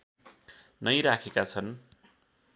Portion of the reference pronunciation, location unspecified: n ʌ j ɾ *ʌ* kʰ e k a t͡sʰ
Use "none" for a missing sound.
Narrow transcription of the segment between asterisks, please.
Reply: a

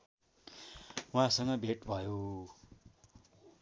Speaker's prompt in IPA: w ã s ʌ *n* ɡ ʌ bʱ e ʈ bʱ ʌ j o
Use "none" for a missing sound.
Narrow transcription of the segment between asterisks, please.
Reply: ŋ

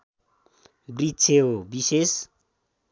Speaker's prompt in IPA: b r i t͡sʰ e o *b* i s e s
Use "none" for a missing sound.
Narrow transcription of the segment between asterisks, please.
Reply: b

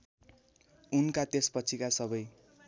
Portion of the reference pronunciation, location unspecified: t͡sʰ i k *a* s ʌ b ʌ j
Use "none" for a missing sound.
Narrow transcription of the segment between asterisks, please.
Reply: a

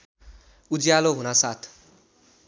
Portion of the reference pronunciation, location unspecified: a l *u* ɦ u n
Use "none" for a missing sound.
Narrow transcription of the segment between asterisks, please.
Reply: o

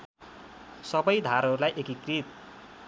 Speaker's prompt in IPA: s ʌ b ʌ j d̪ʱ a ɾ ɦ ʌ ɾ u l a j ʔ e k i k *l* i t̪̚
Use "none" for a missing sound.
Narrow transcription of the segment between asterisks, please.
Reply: r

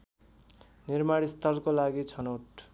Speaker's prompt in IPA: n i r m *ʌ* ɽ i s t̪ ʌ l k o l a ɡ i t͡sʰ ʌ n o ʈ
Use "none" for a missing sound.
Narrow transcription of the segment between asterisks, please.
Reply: a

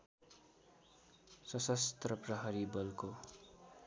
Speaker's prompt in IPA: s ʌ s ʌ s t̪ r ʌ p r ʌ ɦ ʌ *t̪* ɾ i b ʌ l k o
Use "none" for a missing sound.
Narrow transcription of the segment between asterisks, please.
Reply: none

